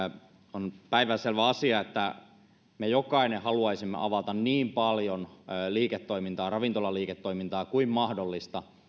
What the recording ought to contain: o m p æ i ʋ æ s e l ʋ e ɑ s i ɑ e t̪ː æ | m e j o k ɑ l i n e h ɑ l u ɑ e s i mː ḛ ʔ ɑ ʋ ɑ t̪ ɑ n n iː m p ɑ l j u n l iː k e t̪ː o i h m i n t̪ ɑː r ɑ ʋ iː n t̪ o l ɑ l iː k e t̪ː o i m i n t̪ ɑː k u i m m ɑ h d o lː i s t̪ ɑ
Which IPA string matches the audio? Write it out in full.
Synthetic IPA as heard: o n p æ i ʋ æ s e l ʋ æ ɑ s i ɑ e t̪ː æ | m e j o k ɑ i n e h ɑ l u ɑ i s i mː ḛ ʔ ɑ ʋ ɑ t̪ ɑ n n iː m p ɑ l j o n l iː k e t̪ː o i m i n t̪ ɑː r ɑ ʋ i n t̪ o l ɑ l iː k e t̪ː o i m i n t̪ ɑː k u i m m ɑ h d o lː i s t̪ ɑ